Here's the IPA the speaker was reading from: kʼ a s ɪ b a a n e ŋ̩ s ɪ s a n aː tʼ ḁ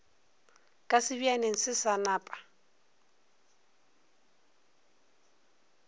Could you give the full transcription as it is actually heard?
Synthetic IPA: kʼ a s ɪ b i a n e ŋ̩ s ɪ s a n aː pʼ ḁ